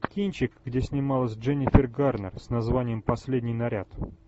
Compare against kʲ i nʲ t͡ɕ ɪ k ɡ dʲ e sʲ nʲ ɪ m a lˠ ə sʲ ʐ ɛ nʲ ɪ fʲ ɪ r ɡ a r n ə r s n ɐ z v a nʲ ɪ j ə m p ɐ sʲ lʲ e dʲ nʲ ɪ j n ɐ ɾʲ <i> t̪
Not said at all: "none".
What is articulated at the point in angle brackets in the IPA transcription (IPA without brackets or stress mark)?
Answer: a